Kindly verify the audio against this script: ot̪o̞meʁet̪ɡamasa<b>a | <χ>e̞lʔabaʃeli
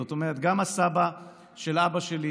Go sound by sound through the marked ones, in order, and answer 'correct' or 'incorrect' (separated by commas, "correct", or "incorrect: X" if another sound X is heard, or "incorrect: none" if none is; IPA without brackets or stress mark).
correct, incorrect: ʃ